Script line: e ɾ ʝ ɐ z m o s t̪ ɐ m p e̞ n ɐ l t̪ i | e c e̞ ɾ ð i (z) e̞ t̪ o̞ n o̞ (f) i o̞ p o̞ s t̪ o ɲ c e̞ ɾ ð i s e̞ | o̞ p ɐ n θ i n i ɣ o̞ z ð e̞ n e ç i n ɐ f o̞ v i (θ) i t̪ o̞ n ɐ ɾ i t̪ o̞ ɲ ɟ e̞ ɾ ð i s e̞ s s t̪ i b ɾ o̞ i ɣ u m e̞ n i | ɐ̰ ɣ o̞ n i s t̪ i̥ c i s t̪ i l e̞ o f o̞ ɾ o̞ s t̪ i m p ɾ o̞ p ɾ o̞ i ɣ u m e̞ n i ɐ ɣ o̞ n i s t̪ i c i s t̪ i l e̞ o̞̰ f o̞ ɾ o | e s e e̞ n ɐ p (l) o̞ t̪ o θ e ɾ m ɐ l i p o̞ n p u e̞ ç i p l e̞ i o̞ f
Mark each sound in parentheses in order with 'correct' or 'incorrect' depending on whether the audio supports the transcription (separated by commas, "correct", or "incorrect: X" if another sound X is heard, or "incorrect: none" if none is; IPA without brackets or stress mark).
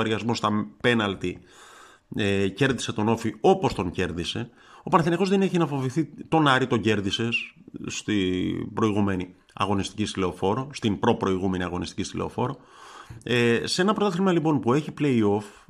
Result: incorrect: s, correct, correct, incorrect: ɾ